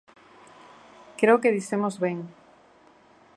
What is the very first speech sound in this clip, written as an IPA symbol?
k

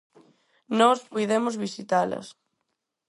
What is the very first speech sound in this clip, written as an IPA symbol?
n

